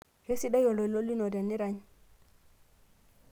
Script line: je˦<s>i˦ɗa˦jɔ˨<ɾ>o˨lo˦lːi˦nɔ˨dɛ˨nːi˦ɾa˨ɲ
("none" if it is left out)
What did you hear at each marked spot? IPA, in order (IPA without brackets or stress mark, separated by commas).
s, l